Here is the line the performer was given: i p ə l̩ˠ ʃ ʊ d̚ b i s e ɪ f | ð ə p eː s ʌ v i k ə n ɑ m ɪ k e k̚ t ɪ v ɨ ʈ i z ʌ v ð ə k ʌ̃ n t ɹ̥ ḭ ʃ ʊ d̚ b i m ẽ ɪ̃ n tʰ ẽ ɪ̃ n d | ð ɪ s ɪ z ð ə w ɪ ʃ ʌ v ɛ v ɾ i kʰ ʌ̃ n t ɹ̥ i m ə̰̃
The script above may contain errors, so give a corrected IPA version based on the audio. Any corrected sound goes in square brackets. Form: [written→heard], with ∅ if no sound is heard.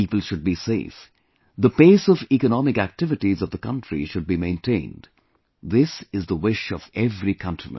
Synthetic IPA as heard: i p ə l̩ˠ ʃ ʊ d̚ b i s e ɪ f | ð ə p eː s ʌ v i k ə n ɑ m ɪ k [e→æ] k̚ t ɪ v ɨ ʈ i z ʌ v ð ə k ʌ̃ n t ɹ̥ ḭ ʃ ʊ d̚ b i m ẽ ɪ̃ n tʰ ẽ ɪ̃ n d | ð ɪ s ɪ z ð ə w ɪ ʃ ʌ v ɛ v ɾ i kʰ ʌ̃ n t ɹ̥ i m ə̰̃

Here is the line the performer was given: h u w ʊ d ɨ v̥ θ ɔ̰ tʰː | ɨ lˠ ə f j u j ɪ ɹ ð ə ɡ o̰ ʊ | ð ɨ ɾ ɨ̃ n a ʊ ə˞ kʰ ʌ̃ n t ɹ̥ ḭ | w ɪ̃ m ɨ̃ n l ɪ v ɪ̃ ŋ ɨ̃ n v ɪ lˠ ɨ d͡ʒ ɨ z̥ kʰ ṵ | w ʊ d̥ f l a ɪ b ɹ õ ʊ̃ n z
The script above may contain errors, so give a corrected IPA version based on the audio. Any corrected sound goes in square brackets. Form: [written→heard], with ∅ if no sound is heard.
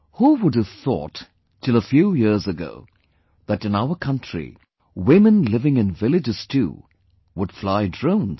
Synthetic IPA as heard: h u w ʊ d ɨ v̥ θ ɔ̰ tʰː | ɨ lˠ ə f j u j ɪ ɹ [ð→z] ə ɡ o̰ ʊ | ð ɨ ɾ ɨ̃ n a ʊ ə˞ kʰ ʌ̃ n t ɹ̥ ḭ | w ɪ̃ m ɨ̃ n l ɪ v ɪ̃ ŋ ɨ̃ n v ɪ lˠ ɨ d͡ʒ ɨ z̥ [kʰ→tʰ] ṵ | w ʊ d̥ f l a ɪ [b→d] ɹ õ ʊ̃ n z

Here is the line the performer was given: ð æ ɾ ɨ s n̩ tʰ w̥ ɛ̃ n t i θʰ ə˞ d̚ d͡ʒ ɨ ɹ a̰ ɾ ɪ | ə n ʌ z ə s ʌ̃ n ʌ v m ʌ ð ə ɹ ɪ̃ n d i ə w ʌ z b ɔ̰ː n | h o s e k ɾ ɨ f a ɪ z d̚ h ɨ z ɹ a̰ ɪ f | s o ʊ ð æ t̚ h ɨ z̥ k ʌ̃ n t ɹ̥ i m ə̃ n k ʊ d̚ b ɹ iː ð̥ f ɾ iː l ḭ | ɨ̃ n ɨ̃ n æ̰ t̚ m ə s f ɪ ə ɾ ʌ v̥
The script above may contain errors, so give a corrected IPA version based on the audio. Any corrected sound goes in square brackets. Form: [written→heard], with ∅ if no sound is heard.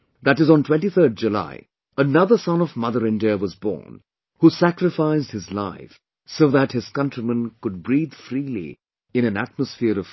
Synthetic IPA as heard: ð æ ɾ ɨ [s→z] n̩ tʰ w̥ ɛ̃ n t i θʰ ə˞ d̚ d͡ʒ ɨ [ɹ→l] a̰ [ɾ→∅] ɪ | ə n ʌ [z→ð] ə s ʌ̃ n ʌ v m ʌ ð ə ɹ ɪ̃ n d i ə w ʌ z b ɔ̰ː n | h [o→u] s [e→æ] k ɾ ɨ f a ɪ z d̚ h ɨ z [ɹ→l] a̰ ɪ f | s o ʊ ð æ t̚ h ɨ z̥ k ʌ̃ n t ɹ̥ i m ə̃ n k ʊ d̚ b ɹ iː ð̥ f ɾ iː l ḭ | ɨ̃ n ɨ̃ n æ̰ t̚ m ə s f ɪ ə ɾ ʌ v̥

